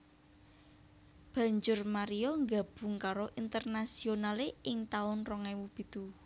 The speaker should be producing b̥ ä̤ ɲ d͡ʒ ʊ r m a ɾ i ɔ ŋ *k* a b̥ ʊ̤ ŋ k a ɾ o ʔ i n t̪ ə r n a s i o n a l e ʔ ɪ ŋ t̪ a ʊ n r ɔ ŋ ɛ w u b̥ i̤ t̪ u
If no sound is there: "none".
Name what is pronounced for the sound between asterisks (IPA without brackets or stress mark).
ɡ